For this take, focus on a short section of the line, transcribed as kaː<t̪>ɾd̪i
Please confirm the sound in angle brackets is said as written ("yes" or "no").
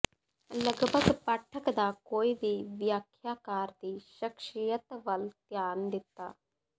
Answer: no